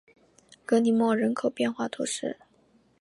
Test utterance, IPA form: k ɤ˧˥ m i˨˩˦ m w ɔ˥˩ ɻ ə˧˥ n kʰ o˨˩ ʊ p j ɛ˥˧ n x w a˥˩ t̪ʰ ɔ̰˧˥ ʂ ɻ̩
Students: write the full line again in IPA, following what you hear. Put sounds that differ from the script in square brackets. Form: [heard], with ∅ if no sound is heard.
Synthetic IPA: k ɤ˧˥ [n] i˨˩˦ m w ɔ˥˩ ɻ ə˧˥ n kʰ o˨˩ ʊ p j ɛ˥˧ n x w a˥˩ t̪ʰ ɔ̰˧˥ ʂ ɻ̩